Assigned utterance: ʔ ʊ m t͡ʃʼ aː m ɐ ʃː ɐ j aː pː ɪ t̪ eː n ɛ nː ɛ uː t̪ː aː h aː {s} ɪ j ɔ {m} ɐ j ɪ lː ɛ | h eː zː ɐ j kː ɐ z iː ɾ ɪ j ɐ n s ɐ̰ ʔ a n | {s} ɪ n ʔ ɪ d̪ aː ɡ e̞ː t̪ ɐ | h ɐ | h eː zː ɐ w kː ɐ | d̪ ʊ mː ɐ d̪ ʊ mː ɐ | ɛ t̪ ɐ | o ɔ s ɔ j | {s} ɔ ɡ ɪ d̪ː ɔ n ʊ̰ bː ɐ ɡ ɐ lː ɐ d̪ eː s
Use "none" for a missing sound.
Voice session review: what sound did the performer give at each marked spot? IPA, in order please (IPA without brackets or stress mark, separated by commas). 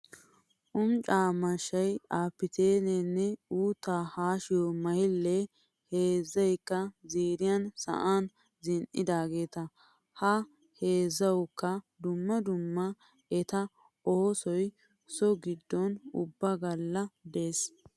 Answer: ʃ, m, z, s